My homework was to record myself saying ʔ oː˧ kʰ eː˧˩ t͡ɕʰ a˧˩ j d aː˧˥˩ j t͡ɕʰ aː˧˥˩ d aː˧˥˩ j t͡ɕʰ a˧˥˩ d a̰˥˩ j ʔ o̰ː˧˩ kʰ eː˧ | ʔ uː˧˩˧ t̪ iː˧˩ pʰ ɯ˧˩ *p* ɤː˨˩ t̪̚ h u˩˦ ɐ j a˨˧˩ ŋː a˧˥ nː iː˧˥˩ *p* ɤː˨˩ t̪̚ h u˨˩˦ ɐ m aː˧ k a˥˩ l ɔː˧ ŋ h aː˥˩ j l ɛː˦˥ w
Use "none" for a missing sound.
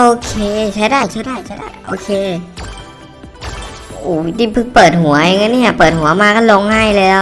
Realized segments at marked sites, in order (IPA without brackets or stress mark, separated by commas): p, p